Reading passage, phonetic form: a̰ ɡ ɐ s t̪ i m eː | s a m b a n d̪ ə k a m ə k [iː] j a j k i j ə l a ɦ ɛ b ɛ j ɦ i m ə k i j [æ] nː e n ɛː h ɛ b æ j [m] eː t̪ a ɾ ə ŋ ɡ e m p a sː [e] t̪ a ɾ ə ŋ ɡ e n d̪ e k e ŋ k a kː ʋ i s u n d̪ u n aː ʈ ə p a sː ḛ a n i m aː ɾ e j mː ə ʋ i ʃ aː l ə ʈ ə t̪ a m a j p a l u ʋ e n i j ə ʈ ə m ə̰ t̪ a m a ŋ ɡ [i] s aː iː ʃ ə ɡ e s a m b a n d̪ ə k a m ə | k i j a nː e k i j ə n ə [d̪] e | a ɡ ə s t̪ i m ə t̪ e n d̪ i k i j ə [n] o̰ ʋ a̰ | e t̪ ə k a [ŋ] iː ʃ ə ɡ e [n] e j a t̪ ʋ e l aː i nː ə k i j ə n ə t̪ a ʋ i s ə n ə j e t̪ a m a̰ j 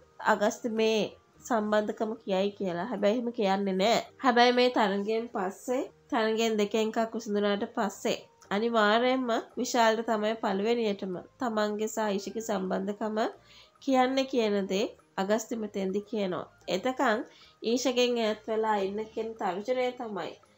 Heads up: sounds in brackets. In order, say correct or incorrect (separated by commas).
incorrect, incorrect, correct, correct, incorrect, correct, correct, correct, incorrect